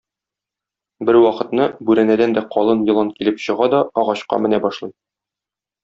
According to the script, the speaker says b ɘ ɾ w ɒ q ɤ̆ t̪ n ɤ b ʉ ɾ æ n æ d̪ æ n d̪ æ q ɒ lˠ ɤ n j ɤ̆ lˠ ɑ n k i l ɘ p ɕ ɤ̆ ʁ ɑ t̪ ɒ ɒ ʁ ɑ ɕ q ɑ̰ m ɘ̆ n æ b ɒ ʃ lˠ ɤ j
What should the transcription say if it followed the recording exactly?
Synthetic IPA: b ɘ ɾ w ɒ q ɤ̆ t̪ n ɤ b ʉ ɾ æ n æ d̪ æ n d̪ æ q ɒ lˠ ɤ n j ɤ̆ lˠ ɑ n k i l ɘ p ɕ ɤ̆ ʁ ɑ d̪ ɒ ɒ ʁ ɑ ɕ q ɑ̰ m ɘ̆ n æ b ɒ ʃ lˠ ɤ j